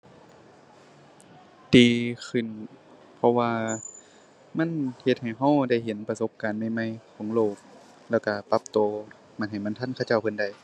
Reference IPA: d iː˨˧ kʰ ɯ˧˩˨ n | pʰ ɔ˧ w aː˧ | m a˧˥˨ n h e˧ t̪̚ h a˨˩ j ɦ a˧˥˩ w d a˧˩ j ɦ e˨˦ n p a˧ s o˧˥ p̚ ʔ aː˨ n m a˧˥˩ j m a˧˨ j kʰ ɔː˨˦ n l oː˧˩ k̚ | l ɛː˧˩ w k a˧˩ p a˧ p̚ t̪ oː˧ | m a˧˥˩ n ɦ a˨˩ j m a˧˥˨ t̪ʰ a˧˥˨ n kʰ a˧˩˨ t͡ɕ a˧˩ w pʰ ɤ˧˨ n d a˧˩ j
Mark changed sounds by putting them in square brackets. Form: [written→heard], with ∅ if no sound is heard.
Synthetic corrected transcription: d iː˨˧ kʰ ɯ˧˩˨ n | pʰ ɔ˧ w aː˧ | m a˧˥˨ n h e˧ t̪̚ h a˨˩ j ɦ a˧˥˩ w d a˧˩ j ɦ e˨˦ n p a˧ s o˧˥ p̚ [ʔ→k] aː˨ n m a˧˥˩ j m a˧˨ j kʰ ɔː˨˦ [n→ŋ] l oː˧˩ k̚ | l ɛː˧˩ w k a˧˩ p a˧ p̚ t̪ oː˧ | m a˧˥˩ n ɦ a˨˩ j m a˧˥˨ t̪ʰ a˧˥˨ n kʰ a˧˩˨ t͡ɕ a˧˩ w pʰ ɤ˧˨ n d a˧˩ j